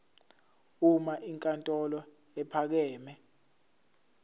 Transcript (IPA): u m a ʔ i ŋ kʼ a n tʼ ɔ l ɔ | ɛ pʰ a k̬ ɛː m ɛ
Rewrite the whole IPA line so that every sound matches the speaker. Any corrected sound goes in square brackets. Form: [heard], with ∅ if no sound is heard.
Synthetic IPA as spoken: u m a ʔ i ŋ kʼ a n tʼ ɔ l ɔ | ɛ pʰ a k̬ ɛː m ɛ